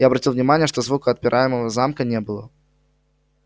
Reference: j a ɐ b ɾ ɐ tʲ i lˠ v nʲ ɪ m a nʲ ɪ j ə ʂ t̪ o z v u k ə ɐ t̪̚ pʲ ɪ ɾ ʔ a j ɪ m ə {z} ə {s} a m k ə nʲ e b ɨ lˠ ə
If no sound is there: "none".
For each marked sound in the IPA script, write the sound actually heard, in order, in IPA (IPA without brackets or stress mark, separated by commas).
v, z